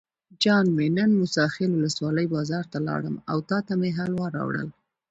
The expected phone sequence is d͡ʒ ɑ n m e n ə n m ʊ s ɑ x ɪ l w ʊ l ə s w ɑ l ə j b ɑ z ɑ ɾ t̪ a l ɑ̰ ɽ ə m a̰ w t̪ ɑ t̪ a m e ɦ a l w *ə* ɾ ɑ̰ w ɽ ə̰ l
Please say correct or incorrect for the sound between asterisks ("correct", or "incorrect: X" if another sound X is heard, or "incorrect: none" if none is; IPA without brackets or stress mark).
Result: incorrect: ɑ